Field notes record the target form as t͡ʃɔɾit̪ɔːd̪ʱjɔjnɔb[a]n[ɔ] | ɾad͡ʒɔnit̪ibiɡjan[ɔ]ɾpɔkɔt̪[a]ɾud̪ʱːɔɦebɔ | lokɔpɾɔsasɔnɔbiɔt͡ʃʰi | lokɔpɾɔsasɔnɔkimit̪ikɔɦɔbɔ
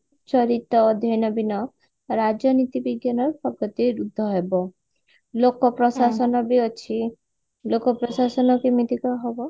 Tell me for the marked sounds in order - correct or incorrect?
incorrect: i, correct, correct, incorrect: i

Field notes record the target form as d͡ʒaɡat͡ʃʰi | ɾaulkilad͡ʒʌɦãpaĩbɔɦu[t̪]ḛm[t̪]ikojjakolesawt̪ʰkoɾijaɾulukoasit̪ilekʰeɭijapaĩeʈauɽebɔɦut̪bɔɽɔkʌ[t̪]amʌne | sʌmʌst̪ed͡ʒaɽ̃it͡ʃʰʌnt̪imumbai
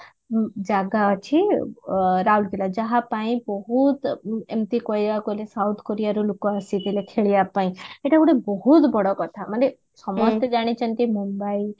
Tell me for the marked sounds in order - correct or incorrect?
correct, correct, incorrect: t̪ʰ

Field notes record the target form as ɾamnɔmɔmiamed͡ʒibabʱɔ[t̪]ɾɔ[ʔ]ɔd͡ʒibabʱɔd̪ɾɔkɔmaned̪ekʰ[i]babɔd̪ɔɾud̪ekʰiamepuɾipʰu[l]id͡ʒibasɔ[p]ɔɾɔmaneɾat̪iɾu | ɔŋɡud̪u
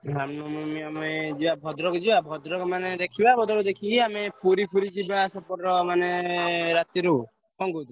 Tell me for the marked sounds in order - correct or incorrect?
incorrect: d̪, incorrect: k, correct, incorrect: ɾ, correct

